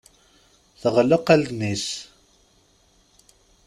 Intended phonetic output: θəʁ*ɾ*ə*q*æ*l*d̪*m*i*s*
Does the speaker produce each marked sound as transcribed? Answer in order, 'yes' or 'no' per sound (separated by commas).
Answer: no, yes, yes, no, yes